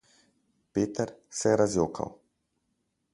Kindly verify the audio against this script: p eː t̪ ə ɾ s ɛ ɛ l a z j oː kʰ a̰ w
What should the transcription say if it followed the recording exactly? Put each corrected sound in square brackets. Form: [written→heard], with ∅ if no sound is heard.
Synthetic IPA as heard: p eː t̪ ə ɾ s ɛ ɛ [l→ɾ] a z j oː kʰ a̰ w